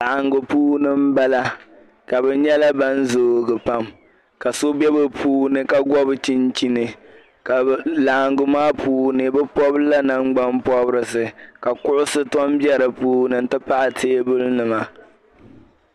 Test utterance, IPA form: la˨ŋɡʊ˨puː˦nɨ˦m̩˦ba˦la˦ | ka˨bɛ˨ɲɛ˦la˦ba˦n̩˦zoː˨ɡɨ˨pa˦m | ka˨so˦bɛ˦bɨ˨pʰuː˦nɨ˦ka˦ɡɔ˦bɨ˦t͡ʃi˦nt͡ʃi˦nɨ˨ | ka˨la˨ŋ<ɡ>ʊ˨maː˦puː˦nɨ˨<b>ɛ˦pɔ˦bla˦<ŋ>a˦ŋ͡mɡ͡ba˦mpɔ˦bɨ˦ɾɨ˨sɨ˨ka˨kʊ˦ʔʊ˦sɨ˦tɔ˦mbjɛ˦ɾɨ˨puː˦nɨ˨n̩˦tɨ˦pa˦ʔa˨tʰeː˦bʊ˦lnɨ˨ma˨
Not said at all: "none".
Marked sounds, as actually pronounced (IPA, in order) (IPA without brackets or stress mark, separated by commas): ɡ, b, n